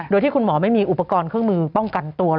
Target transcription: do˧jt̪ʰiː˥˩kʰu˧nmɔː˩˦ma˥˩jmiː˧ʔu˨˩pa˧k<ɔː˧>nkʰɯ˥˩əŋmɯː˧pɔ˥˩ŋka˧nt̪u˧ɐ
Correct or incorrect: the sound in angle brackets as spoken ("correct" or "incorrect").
correct